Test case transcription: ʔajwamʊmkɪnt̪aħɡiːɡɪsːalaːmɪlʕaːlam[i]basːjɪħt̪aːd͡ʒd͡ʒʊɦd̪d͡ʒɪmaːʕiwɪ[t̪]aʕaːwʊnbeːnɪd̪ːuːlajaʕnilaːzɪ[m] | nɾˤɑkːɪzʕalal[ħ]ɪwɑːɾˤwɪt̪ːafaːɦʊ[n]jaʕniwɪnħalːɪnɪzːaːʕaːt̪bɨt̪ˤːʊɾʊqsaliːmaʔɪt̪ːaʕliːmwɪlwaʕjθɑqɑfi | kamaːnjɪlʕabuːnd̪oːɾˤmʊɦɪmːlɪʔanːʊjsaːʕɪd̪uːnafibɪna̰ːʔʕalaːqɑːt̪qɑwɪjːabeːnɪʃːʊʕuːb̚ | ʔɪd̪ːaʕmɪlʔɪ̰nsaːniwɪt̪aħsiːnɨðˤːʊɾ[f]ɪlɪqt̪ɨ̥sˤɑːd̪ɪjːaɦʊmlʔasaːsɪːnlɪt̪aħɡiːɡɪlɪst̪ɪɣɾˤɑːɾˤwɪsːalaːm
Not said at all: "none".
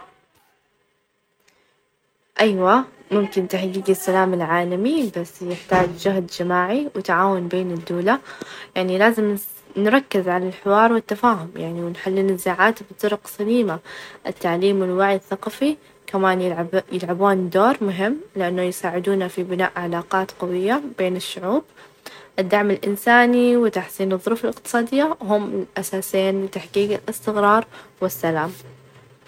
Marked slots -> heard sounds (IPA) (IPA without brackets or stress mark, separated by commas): i, t̪, m, ħ, m, f